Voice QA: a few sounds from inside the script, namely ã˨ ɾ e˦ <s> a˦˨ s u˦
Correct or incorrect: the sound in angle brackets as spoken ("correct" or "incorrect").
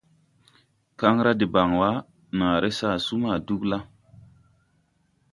correct